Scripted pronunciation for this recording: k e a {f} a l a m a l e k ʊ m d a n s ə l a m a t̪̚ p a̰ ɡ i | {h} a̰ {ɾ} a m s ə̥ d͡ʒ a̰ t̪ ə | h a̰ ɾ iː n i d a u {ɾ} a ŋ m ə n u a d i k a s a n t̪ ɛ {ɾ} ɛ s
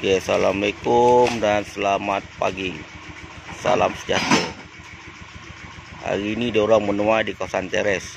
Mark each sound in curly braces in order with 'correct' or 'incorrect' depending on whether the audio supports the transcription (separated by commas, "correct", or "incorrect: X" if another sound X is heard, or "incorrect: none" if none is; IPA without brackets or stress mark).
incorrect: s, incorrect: s, incorrect: l, correct, correct